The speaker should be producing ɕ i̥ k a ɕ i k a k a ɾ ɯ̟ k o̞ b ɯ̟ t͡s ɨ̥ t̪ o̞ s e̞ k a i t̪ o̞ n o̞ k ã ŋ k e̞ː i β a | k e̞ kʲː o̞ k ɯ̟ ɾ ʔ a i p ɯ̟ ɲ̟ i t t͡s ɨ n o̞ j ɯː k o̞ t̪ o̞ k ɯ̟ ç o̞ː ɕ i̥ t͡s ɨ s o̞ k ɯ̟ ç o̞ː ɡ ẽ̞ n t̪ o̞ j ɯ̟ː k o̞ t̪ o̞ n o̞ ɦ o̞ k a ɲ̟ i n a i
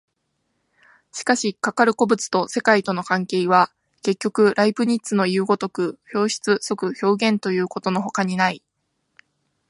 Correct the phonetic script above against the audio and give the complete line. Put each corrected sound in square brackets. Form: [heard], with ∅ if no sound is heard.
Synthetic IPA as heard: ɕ i̥ k a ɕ i k a k a ɾ ɯ̟ k o̞ b ɯ̟ t͡s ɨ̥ t̪ o̞ s e̞ k a i t̪ o̞ n o̞ k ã ŋ k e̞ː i β a | k e̞ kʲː o̞ k ɯ̟ ɾ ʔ a i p ɯ̟ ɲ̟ i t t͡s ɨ n o̞ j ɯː [ɡ] o̞ t̪ o̞ k ɯ̟ ç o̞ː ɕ i̥ t͡s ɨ s o̞ k ɯ̟ ç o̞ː ɡ ẽ̞ n t̪ o̞ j ɯ̟ː k o̞ t̪ o̞ n o̞ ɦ o̞ k a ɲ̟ i n a i